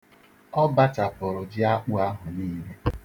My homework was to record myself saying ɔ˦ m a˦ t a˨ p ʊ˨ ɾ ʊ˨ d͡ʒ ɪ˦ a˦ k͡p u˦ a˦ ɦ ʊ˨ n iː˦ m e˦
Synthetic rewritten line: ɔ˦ b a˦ t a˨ p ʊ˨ ɾ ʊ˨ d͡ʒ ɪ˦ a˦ k͡p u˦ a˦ ɦ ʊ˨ n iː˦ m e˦